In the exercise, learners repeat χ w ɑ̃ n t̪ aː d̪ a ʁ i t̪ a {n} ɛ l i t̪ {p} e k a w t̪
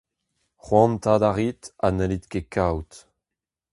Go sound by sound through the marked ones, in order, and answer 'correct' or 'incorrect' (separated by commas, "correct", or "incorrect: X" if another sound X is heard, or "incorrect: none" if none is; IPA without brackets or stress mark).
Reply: correct, incorrect: k